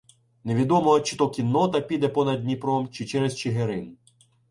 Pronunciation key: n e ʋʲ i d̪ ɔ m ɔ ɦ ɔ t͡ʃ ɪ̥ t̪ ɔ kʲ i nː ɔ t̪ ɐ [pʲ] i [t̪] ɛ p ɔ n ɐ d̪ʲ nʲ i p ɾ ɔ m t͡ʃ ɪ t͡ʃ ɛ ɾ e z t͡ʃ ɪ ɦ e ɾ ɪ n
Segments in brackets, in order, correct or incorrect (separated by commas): correct, incorrect